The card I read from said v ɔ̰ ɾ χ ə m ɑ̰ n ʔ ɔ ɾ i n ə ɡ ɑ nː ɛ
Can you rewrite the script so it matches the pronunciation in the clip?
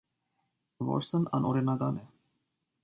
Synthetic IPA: v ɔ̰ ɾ s ə n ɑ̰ n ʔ ɔ ɾ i n ɑ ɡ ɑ n ɛ

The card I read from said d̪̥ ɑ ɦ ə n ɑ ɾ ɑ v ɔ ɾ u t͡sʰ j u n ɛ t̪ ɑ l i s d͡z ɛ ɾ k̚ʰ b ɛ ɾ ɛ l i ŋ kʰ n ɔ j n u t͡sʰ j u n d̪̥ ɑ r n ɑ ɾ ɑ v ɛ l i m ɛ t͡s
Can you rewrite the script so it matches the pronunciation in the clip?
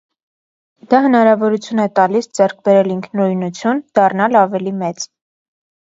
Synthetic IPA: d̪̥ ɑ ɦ ə n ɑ ɾ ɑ v ɔ ɾ u t͡sʰ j u n ɛ t̪ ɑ l i s d͡z ɛ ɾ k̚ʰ b ɛ ɾ ɛ l i ŋ kʰ n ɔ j n u t͡sʰ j u n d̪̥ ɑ r n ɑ l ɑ v ɛ l i m ɛ t͡s

